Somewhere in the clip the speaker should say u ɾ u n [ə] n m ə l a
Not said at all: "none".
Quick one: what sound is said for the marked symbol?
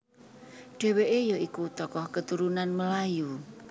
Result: a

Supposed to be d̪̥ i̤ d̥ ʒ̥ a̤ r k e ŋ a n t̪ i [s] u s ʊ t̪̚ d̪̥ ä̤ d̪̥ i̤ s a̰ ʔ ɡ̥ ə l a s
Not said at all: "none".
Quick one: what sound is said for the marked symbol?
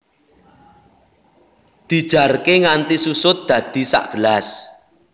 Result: s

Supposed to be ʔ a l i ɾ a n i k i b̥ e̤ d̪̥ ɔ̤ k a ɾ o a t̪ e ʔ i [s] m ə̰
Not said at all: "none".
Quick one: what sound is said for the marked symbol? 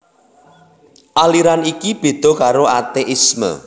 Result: s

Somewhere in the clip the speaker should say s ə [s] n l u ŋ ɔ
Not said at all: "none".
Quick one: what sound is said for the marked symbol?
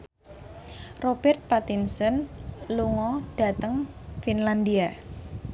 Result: none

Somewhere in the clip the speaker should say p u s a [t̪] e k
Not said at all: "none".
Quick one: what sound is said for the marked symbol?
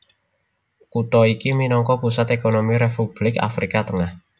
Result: t̪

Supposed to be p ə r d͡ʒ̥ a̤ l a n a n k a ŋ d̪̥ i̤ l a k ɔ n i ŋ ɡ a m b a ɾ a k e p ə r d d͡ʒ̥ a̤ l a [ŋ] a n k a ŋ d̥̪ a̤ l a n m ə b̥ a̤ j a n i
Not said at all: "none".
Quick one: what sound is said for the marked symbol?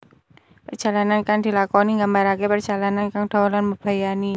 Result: n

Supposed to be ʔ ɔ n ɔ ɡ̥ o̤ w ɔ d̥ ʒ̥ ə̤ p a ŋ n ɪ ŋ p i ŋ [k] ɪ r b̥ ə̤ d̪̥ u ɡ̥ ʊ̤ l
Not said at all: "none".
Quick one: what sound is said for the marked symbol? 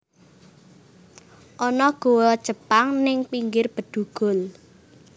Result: ɡ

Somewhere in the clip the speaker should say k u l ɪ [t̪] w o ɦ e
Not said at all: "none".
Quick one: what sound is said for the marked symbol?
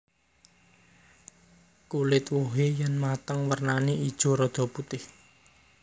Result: t̪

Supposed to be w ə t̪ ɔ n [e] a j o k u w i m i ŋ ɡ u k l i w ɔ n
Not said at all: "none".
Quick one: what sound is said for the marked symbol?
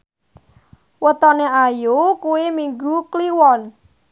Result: e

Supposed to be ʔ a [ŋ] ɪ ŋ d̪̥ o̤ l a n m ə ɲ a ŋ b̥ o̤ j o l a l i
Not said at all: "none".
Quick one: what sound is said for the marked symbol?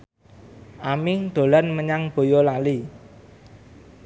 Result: m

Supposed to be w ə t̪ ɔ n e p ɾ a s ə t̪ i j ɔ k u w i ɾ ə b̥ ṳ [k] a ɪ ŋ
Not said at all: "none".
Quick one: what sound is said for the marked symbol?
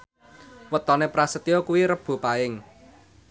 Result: p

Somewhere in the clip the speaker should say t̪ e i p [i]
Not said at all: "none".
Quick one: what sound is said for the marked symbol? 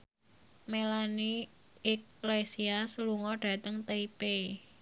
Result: e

